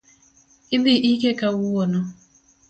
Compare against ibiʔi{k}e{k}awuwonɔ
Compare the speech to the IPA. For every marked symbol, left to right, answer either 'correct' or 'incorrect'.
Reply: correct, correct

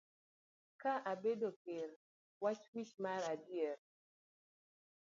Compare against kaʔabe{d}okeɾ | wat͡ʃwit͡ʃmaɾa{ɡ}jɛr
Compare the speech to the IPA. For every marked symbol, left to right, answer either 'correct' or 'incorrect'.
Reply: correct, incorrect

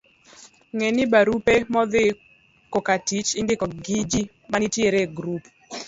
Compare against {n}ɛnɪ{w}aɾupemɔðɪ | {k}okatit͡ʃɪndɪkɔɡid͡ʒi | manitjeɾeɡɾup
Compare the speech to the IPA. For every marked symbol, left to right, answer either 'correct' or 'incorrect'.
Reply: incorrect, incorrect, correct

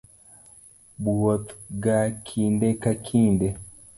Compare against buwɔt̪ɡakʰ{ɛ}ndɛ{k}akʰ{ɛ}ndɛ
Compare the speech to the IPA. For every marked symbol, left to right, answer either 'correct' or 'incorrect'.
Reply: incorrect, correct, incorrect

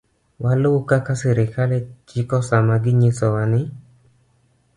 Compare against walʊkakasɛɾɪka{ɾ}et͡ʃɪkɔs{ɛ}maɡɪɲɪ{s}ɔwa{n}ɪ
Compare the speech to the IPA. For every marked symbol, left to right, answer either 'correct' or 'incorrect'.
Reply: incorrect, incorrect, correct, correct

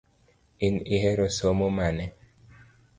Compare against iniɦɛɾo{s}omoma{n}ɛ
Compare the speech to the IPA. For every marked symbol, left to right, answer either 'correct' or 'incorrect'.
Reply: correct, correct

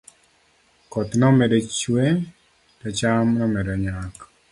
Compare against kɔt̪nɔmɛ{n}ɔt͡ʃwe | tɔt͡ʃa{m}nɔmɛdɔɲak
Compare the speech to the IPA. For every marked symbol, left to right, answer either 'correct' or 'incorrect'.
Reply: incorrect, correct

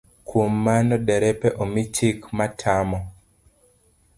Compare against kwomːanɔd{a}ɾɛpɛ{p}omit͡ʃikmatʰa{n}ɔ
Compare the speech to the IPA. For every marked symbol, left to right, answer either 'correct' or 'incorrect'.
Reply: incorrect, incorrect, incorrect

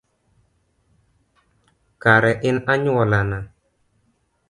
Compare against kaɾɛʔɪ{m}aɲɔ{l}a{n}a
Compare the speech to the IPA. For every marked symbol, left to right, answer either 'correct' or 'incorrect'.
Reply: incorrect, correct, correct

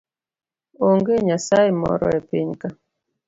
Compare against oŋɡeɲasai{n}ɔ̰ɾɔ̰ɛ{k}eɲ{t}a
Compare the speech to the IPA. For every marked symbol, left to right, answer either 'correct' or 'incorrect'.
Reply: incorrect, incorrect, incorrect

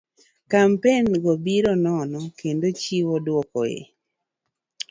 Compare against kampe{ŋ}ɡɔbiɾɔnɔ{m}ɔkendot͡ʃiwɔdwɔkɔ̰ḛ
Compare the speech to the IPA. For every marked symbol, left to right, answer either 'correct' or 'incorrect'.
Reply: incorrect, incorrect

